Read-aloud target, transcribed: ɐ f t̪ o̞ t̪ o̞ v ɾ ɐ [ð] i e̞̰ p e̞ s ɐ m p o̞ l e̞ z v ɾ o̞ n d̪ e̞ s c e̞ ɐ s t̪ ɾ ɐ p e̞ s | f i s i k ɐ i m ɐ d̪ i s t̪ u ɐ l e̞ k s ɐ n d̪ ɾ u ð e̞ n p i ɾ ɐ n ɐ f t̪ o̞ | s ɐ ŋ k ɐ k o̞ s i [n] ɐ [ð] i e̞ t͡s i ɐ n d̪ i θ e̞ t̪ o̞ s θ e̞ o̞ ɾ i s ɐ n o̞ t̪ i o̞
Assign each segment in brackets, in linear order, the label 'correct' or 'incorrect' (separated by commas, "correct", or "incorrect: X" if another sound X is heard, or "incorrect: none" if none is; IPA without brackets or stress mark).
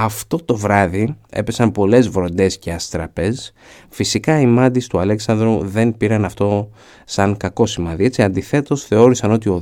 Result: correct, incorrect: m, correct